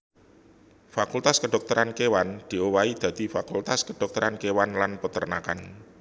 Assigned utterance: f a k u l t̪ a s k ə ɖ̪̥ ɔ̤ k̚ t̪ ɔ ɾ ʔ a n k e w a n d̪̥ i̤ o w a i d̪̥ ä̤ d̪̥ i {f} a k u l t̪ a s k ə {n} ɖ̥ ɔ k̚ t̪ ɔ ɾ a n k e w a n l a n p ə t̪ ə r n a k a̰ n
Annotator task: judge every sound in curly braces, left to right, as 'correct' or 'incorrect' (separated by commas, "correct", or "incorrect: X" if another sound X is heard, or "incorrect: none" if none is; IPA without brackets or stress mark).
correct, incorrect: none